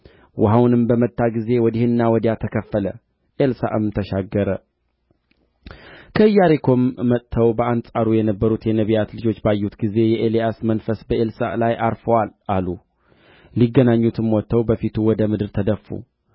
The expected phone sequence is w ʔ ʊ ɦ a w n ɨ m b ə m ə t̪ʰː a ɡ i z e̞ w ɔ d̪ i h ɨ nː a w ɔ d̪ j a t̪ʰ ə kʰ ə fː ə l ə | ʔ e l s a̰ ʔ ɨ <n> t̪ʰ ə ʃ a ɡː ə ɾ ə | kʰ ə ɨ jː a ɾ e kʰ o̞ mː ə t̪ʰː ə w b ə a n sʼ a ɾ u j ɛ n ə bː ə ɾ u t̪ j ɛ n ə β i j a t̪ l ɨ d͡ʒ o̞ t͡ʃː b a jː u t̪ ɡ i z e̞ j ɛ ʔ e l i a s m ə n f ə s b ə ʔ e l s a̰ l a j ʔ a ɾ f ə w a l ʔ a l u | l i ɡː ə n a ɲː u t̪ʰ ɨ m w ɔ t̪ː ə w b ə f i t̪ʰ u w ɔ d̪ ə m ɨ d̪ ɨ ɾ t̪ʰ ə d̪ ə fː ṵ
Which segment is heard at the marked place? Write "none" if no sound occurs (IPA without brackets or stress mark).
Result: m